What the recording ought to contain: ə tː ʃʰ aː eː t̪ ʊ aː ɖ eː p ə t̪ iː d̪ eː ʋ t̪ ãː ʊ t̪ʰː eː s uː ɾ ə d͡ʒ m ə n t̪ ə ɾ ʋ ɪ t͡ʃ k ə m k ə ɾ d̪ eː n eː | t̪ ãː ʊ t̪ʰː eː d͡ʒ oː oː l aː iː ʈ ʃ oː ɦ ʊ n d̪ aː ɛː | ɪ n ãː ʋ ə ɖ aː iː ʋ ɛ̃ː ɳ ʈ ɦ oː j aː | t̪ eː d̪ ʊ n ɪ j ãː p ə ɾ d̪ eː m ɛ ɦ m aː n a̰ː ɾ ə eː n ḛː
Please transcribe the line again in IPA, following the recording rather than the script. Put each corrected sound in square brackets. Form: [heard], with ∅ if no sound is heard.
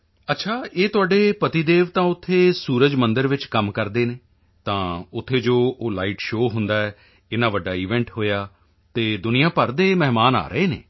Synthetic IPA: ə tː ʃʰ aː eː t̪ ʊ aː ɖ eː p ə t̪ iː d̪ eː ʋ t̪ ãː ʊ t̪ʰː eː s uː ɾ ə d͡ʒ m ə n [d̪] ə ɾ ʋ ɪ t͡ʃ k ə m k ə ɾ d̪ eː n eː | t̪ ãː ʊ t̪ʰː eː d͡ʒ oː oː l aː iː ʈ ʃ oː ɦ ʊ n d̪ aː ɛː | ɪ n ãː ʋ ə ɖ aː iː ʋ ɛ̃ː ɳ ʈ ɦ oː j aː | t̪ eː d̪ ʊ n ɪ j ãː p ə ɾ d̪ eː m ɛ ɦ m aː n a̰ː ɾ ə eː n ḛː